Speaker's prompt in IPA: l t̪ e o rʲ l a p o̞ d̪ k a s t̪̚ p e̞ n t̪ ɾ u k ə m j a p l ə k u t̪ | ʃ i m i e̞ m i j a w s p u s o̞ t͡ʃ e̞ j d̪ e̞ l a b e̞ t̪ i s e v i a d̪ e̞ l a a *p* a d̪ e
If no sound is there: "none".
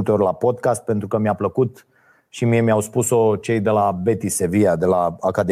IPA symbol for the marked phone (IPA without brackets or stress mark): k